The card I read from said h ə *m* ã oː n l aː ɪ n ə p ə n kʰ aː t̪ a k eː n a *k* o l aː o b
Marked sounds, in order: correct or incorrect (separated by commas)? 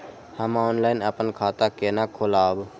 correct, incorrect